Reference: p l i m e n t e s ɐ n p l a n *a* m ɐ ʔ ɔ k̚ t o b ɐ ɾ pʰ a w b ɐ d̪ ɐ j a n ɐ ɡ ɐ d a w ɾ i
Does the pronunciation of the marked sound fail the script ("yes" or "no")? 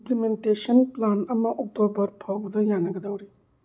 yes